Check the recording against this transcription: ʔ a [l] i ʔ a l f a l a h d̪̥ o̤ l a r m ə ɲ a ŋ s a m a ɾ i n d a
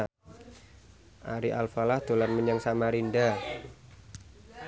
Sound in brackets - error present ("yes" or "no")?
yes